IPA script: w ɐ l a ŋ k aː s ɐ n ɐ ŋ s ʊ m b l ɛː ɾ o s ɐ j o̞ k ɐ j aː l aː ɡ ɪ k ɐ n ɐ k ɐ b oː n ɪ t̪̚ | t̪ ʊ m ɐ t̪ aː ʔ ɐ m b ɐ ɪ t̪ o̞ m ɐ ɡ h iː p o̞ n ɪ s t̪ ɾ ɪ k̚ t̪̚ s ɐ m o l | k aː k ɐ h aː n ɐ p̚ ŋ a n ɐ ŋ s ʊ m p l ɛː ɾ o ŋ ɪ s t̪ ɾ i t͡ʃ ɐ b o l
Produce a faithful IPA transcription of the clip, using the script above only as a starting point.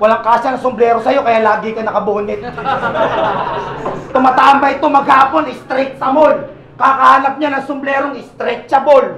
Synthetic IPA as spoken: w ɐ l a ŋ k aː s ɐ n ɐ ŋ s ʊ m b l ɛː ɾ o s ɐ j o̞ k ɐ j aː l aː ɡ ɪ k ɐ n ɐ k ɐ b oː n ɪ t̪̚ | t̪ ʊ m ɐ t̪ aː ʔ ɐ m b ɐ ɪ t̪ o̞ m ɐ ɡ h aː p o̞ n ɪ s t̪ ɾ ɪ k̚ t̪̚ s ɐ m o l | k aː k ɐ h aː n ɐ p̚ ɲ a n ɐ ŋ s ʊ m b l ɛː ɾ o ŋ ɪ s t̪ ɾ ɛ t͡ʃ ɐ b o l

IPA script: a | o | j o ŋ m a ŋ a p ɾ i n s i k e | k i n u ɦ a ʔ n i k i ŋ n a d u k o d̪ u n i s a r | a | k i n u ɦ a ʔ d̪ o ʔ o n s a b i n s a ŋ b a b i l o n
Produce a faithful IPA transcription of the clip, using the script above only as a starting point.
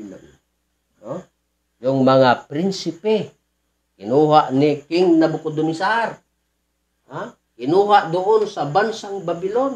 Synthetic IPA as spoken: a | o | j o ŋ m a ŋ a p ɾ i n s i p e | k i n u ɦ a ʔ n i k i ŋ n a b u k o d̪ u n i s a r | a | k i n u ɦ a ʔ d̪ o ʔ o n s a b a n s a ŋ b a b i l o n

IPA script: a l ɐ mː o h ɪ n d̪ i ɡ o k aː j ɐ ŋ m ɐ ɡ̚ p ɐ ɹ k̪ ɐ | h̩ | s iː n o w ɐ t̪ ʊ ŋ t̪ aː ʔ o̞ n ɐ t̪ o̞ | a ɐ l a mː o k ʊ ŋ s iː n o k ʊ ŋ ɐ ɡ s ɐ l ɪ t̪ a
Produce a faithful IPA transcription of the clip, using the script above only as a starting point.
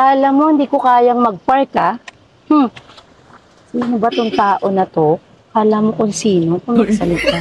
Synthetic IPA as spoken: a l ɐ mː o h ɪ n d̪ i k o k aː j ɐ ŋ m ɐ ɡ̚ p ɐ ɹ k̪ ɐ | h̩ | s iː n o b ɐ t̪ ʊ ŋ t̪ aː ʔ o̞ n ɐ t̪ o̞ | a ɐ l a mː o k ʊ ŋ s iː n o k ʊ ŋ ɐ ɡ s ɐ l ɪ t̪ a

